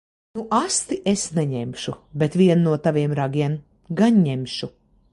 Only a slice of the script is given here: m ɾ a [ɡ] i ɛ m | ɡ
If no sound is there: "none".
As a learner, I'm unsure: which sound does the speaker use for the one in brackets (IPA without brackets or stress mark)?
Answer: ɡ